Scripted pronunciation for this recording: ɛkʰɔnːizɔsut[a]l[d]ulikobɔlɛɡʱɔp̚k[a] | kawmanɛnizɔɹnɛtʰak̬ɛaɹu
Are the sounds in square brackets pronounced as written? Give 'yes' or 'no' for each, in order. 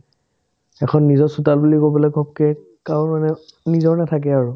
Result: yes, no, no

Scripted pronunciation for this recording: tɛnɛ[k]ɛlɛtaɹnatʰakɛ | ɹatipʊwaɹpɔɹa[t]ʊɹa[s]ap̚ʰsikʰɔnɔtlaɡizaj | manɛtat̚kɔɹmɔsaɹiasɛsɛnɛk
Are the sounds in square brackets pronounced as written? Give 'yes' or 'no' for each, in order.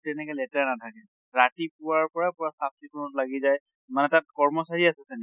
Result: yes, no, yes

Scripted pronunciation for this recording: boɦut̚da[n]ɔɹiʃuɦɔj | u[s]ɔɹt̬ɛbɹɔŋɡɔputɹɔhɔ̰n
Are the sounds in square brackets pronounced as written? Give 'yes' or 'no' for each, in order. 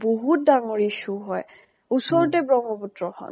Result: no, yes

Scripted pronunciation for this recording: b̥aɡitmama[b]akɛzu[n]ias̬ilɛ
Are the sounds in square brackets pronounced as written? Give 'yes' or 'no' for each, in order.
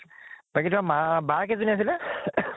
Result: yes, yes

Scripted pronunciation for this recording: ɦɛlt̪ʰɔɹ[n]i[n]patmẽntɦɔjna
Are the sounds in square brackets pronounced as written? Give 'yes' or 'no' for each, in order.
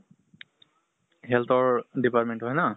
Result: no, no

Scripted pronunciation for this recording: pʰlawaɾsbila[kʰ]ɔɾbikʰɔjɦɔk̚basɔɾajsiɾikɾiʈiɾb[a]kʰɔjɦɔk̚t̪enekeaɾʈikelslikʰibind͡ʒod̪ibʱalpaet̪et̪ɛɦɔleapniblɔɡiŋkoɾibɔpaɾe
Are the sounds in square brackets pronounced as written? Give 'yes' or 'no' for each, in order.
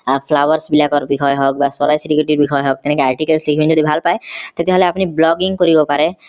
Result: no, no

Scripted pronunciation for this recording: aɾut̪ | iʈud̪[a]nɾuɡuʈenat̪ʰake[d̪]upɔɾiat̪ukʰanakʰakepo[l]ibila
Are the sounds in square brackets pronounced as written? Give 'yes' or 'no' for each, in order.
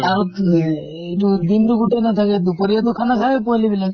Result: no, yes, yes

